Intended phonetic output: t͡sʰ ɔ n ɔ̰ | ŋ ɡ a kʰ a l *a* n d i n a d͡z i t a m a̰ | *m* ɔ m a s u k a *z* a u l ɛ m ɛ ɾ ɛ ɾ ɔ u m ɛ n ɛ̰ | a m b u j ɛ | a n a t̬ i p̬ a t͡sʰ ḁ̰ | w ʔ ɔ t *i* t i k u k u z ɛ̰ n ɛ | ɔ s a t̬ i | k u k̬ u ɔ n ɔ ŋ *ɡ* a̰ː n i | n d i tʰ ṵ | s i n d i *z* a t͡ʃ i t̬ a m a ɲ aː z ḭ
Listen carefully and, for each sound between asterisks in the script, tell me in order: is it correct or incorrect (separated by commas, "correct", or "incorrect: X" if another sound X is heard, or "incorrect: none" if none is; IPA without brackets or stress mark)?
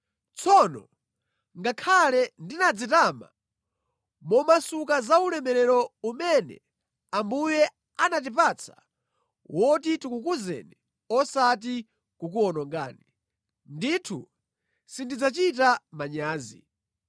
incorrect: ɛ, correct, correct, correct, correct, incorrect: d͡z